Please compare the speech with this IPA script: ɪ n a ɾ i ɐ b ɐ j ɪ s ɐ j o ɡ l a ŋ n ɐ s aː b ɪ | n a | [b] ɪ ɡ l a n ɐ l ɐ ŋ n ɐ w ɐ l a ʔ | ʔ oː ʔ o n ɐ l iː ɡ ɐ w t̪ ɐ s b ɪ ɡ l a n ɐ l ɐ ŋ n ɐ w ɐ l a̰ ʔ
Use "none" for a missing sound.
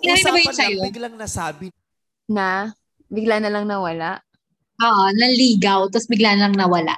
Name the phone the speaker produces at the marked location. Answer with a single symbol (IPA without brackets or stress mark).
b